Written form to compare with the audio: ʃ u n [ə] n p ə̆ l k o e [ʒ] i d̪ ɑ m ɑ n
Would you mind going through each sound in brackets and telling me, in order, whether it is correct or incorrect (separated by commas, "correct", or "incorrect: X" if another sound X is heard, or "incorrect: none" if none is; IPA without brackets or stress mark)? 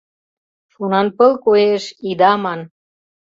incorrect: ɑ, incorrect: ʃ